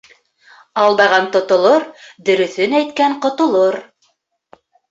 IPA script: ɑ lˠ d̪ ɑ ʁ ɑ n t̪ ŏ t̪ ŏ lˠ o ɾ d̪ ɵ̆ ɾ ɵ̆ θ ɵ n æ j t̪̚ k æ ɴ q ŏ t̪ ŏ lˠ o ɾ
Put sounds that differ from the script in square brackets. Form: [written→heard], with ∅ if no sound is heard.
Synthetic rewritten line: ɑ lˠ d̪ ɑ ʁ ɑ n t̪ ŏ t̪ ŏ lˠ o ɾ d̪ ɵ̆ ɾ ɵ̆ θ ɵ n æ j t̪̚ k æ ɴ q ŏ t̪ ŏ lˠ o ɾ

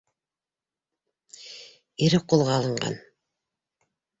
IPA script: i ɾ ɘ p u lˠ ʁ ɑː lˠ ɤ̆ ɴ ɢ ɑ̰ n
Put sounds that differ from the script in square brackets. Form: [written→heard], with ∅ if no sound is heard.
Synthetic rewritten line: i ɾ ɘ [p→q] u lˠ ʁ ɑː lˠ ɤ̆ ɴ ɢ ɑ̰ n

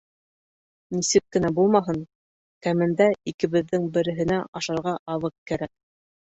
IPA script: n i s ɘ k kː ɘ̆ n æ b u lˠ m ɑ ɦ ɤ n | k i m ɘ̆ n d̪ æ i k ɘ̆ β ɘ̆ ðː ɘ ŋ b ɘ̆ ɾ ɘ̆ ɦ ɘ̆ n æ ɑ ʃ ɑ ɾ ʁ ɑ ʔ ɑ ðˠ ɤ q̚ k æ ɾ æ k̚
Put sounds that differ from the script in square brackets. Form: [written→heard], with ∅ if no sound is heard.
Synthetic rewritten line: n i s ɘ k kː ɘ̆ n æ b u lˠ m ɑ ɦ ɤ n | k [i→æ] m ɘ̆ n d̪ æ i k ɘ̆ β ɘ̆ ðː ɘ ŋ b ɘ̆ ɾ ɘ̆ ɦ ɘ̆ n æ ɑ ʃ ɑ ɾ ʁ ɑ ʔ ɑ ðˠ ɤ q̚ k æ ɾ æ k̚

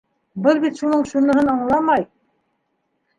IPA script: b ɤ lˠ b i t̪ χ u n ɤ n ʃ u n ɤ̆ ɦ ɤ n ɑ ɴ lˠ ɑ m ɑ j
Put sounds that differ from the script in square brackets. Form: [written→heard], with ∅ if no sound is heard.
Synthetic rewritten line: b ɤ lˠ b i t̪ [χ→ʃ] u n ɤ [n→ɴ] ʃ u n ɤ̆ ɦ ɤ n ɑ ɴ lˠ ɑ m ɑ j

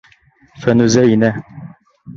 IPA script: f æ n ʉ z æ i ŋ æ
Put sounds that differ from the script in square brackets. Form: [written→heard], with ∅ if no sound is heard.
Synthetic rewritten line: f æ n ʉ z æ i [ŋ→n] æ

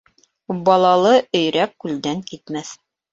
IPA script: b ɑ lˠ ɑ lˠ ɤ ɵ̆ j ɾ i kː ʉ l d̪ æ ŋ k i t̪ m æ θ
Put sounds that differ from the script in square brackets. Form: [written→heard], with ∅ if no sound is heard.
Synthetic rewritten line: b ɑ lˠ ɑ lˠ ɤ ɵ̆ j ɾ [i→æ] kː ʉ l d̪ æ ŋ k i t̪ m æ θ

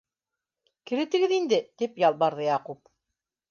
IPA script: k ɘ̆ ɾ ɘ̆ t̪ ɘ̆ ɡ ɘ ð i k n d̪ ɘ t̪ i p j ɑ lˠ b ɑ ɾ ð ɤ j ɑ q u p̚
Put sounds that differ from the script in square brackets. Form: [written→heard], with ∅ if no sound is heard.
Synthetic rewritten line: k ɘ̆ ɾ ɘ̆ t̪ ɘ̆ ɡ ɘ ð i [k→∅] n d̪ ɘ t̪ i p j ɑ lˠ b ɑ ɾ ð ɤ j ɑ q u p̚

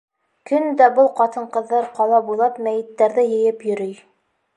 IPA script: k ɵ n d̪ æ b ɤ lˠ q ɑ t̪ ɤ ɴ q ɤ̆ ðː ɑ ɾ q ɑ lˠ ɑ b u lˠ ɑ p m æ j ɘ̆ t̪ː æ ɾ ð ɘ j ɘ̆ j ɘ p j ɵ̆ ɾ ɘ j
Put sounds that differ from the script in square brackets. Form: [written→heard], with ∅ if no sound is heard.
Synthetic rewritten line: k ɵ n d̪ æ b ɤ lˠ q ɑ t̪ ɤ ɴ q ɤ̆ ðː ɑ ɾ q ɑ lˠ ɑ b u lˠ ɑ p m æ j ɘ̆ t̪ː æ ɾ ð ɘ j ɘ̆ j ɘ p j ɵ̆ ɾ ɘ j

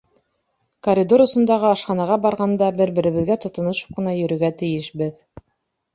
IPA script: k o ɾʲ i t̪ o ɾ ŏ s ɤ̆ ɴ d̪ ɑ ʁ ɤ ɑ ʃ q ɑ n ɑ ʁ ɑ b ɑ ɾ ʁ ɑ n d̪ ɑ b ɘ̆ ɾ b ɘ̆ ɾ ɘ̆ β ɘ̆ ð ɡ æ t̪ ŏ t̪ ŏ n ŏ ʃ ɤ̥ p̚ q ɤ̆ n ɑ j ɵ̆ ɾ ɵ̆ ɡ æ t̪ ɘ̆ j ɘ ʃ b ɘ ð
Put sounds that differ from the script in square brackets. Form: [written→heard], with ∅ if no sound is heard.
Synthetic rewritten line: k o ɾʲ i [t̪→d̪] o ɾ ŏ s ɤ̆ [ɴ→n] d̪ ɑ ʁ ɤ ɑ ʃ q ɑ n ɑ ʁ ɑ b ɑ ɾ ʁ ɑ n d̪ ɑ b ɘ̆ ɾ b ɘ̆ ɾ ɘ̆ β ɘ̆ ð ɡ æ t̪ ŏ t̪ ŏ n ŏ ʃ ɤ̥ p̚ q ɤ̆ n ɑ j ɵ̆ ɾ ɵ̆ ɡ æ t̪ ɘ̆ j ɘ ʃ b ɘ ð

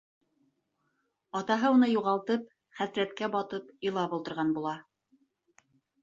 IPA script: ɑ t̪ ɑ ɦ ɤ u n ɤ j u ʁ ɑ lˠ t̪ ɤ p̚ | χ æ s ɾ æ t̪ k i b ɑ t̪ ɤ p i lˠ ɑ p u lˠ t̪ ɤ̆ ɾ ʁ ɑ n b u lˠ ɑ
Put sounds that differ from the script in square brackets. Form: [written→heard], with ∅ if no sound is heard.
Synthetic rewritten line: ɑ t̪ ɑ ɦ ɤ u n ɤ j u ʁ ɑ lˠ t̪ ɤ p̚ | χ æ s ɾ æ t̪ k [i→æ] b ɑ t̪ ɤ p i lˠ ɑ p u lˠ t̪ ɤ̆ ɾ ʁ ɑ n b u lˠ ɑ

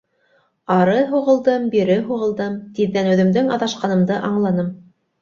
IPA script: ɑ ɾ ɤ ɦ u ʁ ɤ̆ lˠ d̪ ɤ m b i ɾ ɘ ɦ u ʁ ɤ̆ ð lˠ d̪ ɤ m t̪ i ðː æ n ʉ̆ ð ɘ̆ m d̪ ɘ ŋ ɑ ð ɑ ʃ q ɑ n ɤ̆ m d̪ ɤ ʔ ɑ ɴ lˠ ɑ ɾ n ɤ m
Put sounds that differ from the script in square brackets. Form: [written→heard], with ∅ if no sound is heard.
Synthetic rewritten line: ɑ ɾ ɤ ɦ u ʁ ɤ̆ lˠ d̪ ɤ m b i ɾ ɘ ɦ u ʁ ɤ̆ [ð→∅] lˠ d̪ ɤ m t̪ i ðː æ n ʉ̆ ð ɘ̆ m d̪ ɘ ŋ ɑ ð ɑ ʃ q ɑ n ɤ̆ m d̪ ɤ ʔ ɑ ɴ lˠ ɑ [ɾ→∅] n ɤ m

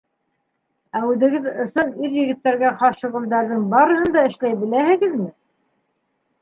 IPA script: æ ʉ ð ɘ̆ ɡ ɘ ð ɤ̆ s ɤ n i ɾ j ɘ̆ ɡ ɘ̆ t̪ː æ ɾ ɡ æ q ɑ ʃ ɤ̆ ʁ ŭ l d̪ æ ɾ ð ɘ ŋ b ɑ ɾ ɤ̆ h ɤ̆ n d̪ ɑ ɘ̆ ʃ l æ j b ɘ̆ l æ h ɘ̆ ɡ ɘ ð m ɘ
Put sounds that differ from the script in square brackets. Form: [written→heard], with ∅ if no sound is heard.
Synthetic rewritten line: æ ʉ ð ɘ̆ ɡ ɘ ð ɤ̆ s ɤ n i ɾ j ɘ̆ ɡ ɘ̆ t̪ː æ ɾ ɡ æ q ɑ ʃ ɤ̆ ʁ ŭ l d̪ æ ɾ ð ɘ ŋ b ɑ ɾ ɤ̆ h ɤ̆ n d̪ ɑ ɘ̆ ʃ l æ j b ɘ̆ l æ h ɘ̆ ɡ ɘ ð m ɘ

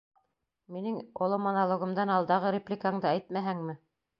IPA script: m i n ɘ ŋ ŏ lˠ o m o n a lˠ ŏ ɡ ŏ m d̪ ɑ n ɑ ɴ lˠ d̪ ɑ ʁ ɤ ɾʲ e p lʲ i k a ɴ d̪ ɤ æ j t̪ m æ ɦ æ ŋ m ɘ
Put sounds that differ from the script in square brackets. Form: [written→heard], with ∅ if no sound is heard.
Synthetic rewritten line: m i n ɘ ŋ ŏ lˠ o m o n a lˠ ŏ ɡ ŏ m d̪ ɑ n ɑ [ɴ→∅] lˠ d̪ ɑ ʁ ɤ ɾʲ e p lʲ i k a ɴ d̪ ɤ æ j t̪ m æ ɦ æ ŋ m ɘ

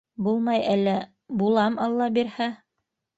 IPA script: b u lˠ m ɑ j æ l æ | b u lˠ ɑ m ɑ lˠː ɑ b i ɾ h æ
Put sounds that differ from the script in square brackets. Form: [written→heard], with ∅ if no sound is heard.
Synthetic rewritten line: b u lˠ m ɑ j æ [l→lː] æ | b u lˠ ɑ m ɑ lˠː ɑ b i ɾ h æ

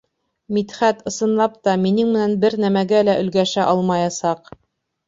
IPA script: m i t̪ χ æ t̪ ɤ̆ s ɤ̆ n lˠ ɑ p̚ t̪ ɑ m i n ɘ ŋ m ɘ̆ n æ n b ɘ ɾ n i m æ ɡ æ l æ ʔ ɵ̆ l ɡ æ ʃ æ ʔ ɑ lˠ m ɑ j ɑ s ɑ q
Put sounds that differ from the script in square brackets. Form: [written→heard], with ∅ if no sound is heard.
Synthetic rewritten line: m i t̪ χ æ t̪ ɤ̆ s ɤ̆ n lˠ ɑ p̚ t̪ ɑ m i n ɘ ŋ m ɘ̆ n æ n b ɘ ɾ n [i→æ] m æ ɡ æ l æ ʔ ɵ̆ l ɡ æ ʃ æ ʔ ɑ lˠ m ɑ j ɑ s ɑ q

